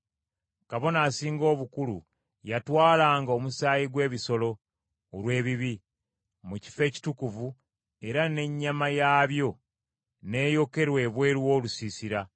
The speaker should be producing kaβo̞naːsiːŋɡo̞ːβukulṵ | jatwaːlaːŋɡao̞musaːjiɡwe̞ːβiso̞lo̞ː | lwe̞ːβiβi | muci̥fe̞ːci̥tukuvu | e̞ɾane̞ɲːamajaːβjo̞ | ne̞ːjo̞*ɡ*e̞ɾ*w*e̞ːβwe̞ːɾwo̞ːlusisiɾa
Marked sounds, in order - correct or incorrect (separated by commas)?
incorrect, correct